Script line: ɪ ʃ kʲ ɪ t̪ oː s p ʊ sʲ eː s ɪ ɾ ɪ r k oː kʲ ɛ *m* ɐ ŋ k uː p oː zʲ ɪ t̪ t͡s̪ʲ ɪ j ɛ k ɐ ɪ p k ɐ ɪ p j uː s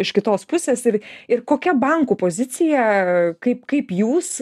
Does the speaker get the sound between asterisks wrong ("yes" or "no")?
yes